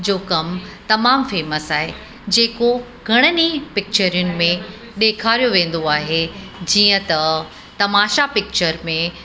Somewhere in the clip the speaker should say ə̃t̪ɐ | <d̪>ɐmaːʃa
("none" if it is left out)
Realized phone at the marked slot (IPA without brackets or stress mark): t̪